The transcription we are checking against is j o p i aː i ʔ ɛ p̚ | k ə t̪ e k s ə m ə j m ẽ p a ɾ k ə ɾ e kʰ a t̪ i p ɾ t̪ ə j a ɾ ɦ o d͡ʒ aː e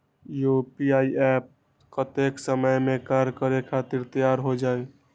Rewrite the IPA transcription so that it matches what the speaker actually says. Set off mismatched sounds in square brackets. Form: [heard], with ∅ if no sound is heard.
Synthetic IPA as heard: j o p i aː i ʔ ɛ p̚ | k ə t̪ e k s ə m ə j m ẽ [k] a ɾ k ə ɾ e kʰ a t̪ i [∅] ɾ t̪ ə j a ɾ ɦ o d͡ʒ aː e